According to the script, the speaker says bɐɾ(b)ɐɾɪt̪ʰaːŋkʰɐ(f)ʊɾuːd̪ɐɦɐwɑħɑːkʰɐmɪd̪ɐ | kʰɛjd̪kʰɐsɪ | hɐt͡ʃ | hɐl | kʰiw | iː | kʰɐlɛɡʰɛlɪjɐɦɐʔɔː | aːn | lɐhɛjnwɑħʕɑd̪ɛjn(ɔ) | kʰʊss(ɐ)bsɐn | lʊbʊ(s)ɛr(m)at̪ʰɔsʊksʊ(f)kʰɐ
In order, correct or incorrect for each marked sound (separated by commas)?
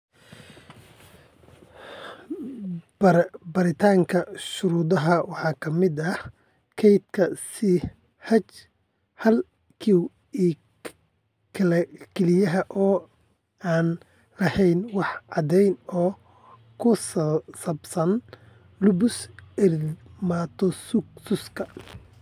correct, incorrect, incorrect, correct, correct, correct, incorrect